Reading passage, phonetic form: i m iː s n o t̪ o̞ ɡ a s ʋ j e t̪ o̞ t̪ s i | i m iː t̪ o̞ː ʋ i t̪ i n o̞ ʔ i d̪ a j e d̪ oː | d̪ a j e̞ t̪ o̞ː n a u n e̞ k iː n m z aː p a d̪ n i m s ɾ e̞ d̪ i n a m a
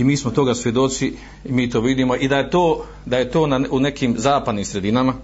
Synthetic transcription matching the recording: i m iː s m o t̪ o̞ ɡ a s ʋ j e d̪ o̞ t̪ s i | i m iː t̪ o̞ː ʋ i d̪ i m o̞ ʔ i d̪ a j e t̪ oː | d̪ a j e̞ t̪ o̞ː n a u n e̞ k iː m z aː p a d̪ n i m s ɾ e̞ d̪ i n a m a